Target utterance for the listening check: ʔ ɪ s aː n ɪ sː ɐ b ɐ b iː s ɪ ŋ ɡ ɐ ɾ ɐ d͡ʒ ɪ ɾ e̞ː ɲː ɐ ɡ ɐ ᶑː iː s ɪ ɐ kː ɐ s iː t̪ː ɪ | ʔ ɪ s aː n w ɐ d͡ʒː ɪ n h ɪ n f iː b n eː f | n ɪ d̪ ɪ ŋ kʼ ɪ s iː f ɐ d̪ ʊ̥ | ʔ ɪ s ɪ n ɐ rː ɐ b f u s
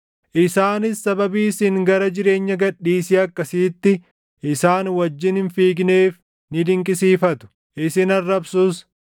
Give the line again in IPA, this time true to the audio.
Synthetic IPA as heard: ʔ ɪ s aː n ɪ sː ɐ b ɐ b iː s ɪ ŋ ɡ ɐ ɾ ɐ d͡ʒ ɪ ɾ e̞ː ɲː ɐ ɡ ɐ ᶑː iː s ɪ ɐ kː ɐ s iː t̪ː ɪ | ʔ ɪ s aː n w ɐ d͡ʒː ɪ n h ɪ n f iː ɡ n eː f | n ɪ d̪ ɪ ŋ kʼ ɪ s iː f ɐ t̪ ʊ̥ | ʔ ɪ s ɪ n ɐ rː ɐ b s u s